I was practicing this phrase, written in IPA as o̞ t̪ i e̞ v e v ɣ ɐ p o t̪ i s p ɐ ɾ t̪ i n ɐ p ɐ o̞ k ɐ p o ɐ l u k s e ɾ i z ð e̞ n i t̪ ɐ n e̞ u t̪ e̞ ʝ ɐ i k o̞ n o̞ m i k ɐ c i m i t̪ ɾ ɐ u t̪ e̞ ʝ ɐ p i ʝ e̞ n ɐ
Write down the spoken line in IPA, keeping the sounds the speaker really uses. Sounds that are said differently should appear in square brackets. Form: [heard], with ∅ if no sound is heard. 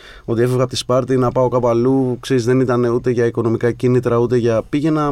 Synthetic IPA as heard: o̞ t̪ i e̞ [f] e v ɣ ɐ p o t̪ i s p ɐ ɾ t̪ i n ɐ p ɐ o̞ k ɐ p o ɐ l u k s e ɾ i z ð e̞ n i t̪ ɐ n e̞ u t̪ e̞ ʝ ɐ i k o̞ n o̞ m i k ɐ c i [n] i t̪ ɾ ɐ u t̪ e̞ ʝ ɐ p i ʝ e̞ n ɐ